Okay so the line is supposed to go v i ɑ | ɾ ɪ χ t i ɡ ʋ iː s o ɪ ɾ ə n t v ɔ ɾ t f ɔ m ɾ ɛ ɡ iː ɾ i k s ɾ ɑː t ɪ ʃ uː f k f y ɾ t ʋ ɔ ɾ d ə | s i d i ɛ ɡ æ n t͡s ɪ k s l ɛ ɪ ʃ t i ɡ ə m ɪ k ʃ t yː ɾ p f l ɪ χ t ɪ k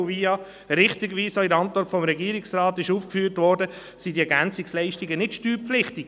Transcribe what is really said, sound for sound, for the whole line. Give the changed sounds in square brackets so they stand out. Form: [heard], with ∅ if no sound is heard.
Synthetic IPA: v i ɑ | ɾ ɪ χ t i ɡ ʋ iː s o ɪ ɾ [ɑ] n t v ɔ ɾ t f ɔ m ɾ ɛ ɡ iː ɾ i k s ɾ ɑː t ɪ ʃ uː f k f [yː] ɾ t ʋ ɔ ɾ d ə | s i d i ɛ ɡ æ n t͡s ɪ k s l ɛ ɪ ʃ t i ɡ ə [n] ɪ [t] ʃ t yː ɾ p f l ɪ χ t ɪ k